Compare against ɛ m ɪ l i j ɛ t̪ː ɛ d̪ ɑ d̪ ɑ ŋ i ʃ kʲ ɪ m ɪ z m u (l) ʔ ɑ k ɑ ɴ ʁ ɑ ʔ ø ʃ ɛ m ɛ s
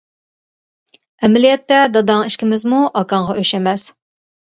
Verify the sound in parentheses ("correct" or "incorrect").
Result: incorrect